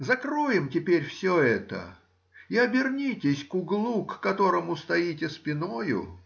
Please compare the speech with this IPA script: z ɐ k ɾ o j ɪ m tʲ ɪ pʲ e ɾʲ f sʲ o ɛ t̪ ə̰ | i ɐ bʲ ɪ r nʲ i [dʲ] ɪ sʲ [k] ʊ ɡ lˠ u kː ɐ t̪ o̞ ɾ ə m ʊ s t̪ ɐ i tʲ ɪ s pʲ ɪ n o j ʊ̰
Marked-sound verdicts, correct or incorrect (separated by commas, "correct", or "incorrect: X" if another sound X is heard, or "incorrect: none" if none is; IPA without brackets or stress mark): incorrect: tʲ, correct